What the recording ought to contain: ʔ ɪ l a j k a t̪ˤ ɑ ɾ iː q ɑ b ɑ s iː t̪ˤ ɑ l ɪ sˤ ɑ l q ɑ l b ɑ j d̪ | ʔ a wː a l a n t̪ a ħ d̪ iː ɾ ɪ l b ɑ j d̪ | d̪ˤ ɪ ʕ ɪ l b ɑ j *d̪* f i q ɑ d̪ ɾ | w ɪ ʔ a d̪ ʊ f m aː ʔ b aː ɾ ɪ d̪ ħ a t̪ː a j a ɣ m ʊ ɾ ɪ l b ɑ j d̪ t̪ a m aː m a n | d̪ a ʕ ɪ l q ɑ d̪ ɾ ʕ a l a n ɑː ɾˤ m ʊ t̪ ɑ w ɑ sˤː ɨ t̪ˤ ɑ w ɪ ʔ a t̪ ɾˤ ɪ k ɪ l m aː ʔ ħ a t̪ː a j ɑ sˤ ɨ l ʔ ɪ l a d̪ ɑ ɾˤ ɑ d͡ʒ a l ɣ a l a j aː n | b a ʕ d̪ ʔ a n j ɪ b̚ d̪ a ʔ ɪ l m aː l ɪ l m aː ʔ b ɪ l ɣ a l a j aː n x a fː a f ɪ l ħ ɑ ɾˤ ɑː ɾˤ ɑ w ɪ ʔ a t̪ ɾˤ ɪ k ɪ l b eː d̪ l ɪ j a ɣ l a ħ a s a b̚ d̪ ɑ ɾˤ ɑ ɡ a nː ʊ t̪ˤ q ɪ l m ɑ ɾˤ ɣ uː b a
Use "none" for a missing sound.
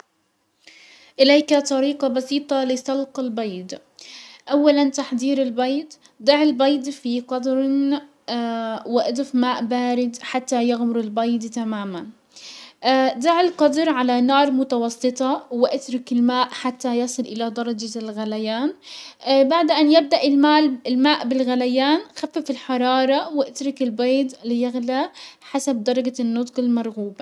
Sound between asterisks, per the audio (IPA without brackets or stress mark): d̪